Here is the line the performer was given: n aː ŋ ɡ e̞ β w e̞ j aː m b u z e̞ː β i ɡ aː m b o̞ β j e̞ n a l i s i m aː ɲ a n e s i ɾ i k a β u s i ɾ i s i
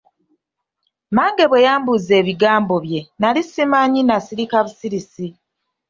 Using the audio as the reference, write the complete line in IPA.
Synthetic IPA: m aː ŋ ɡ e̞ β w e̞ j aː m b u z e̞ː β i ɡ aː m b o̞ β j e̞ n a l i s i m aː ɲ i n a s i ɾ i k a β u s i ɾ i s i